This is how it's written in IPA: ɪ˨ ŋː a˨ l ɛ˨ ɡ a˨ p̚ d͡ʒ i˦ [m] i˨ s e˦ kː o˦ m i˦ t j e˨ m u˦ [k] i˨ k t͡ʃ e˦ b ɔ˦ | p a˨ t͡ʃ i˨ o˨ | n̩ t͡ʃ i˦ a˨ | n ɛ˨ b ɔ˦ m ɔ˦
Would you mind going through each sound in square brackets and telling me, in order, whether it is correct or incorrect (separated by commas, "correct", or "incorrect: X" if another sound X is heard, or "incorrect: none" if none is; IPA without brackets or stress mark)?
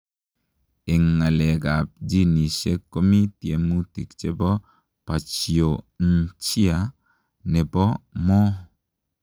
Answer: incorrect: n, incorrect: t